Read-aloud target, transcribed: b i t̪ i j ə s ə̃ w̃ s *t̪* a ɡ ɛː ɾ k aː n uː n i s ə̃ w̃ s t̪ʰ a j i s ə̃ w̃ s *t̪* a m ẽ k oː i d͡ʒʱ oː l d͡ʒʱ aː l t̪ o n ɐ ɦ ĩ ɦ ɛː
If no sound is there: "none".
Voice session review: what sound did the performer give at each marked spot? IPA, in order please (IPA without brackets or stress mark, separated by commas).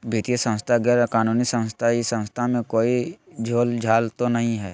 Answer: t̪ʰ, t̪ʰ